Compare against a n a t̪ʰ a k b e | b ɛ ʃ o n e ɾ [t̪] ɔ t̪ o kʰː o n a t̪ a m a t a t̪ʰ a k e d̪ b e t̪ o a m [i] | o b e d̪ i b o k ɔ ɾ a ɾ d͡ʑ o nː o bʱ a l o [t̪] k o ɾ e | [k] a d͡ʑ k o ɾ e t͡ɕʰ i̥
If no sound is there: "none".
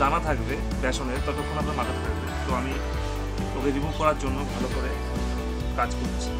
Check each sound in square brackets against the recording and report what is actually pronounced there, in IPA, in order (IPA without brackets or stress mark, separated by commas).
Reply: t̪, i, none, k